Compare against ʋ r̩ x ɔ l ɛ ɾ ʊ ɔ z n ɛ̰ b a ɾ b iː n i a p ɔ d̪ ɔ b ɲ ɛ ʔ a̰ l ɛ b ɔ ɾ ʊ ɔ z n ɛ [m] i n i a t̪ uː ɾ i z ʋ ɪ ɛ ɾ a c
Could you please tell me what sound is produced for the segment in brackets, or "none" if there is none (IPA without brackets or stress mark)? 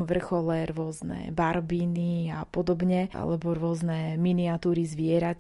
m